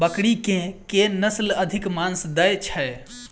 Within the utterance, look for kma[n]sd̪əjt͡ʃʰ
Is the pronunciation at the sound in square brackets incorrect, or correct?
correct